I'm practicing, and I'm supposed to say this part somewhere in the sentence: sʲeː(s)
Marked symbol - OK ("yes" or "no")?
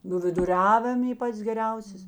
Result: yes